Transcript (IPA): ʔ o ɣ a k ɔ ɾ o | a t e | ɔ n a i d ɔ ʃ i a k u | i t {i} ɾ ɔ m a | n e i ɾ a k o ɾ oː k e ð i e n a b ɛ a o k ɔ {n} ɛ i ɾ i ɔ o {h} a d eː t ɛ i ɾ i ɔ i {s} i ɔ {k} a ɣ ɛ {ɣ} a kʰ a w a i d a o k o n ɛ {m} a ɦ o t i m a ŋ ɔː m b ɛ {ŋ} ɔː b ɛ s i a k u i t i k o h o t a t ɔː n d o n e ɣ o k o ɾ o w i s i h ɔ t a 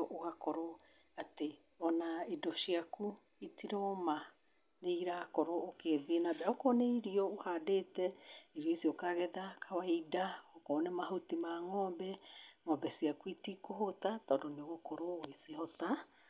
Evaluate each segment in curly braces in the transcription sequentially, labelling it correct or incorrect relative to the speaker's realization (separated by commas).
correct, correct, correct, correct, correct, incorrect, correct, correct